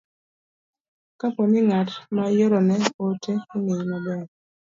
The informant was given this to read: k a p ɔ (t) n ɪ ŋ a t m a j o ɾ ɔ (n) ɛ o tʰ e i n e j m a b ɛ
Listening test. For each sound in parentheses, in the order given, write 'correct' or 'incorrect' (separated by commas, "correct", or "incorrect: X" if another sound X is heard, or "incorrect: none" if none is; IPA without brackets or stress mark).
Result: incorrect: none, correct